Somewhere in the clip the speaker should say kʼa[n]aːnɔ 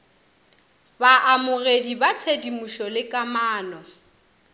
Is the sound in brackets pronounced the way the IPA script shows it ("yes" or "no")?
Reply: no